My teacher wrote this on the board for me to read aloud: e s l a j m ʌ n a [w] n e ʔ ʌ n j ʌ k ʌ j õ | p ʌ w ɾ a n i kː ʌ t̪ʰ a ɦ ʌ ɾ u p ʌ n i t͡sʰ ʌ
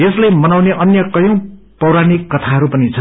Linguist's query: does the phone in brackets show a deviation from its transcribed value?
no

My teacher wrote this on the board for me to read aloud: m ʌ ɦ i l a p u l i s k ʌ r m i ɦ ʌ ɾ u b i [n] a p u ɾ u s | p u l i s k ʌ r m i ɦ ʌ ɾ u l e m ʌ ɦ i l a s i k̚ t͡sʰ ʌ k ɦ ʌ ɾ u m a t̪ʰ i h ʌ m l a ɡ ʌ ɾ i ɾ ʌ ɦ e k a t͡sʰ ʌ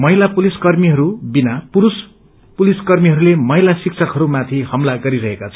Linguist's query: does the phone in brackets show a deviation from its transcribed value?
no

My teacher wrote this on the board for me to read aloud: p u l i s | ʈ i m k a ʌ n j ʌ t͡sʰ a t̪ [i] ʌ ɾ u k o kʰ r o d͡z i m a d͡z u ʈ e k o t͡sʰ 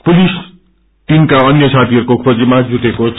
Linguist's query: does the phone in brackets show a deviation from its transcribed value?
no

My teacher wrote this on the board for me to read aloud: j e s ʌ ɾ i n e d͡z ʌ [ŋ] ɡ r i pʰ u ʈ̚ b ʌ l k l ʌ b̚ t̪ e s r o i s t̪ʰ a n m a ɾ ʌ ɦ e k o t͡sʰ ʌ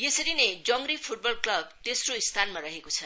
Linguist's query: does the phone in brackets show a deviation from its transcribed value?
no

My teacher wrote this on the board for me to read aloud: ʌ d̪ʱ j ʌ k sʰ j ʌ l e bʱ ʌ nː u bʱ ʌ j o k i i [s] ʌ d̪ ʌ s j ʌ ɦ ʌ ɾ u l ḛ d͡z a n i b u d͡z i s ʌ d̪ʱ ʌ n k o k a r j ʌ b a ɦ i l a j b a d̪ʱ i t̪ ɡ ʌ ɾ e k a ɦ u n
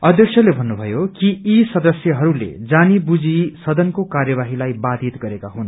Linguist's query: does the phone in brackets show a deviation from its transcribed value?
no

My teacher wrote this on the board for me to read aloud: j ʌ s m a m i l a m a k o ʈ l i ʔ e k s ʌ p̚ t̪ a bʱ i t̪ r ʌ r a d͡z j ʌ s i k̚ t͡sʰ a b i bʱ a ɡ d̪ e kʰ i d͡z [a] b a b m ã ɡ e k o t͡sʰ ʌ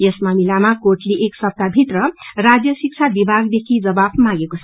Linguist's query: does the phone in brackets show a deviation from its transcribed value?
yes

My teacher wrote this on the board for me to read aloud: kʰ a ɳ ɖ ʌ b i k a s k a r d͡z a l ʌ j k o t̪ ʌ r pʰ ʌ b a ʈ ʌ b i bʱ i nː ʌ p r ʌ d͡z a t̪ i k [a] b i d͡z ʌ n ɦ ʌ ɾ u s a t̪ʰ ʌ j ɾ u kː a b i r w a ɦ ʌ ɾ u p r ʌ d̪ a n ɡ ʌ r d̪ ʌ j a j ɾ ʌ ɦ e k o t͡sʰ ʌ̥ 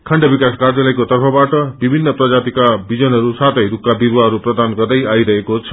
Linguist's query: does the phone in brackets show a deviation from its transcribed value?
no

